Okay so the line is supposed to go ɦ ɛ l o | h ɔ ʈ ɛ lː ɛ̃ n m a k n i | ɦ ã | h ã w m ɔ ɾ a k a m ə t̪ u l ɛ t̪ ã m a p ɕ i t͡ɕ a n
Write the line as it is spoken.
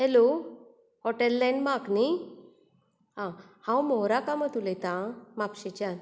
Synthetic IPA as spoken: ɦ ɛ l o | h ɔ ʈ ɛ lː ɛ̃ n m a k n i | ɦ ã | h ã w m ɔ ɾ a k a m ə t̪ u l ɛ t̪ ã m a p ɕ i t͡ɕ a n